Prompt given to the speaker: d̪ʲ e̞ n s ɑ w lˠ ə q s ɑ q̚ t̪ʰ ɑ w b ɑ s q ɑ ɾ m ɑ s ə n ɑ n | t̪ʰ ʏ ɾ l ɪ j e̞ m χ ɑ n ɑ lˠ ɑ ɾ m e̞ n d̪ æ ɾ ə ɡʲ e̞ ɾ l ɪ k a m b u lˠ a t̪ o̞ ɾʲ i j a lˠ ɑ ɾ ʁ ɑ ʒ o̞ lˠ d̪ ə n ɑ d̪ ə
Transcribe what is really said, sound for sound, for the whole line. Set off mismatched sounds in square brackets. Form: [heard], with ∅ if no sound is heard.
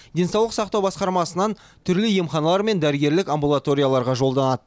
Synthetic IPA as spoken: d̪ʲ e̞ n s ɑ w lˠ ə q s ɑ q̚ [t̪] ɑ w b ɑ s q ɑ ɾ m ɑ s ə n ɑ n | t̪ʰ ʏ ɾ l ɪ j e̞ m χ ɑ n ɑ lˠ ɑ ɾ m e̞ n d̪ æ ɾ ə ɡʲ e̞ ɾ l ɪ k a m b u lˠ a t̪ o̞ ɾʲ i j a lˠ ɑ ɾ ʁ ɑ ʒ o̞ lˠ d̪ [ɑ] n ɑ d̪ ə